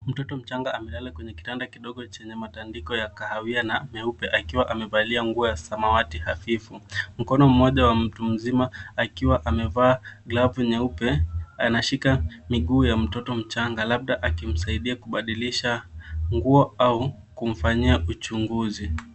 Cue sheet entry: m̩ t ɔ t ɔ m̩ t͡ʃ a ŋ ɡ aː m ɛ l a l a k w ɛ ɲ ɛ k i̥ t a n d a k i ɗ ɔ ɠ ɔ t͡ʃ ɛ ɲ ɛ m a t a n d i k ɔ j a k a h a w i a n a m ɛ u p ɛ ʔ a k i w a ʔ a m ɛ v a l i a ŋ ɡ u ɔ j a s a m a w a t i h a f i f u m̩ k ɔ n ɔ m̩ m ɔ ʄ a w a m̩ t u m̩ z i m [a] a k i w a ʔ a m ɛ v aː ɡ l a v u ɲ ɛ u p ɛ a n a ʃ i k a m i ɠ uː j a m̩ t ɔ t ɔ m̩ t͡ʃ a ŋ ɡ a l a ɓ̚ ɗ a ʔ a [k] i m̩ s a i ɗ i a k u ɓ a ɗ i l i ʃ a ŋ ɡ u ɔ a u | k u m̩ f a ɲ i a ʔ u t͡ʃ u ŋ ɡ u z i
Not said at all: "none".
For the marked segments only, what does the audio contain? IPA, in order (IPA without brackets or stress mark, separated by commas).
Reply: a, k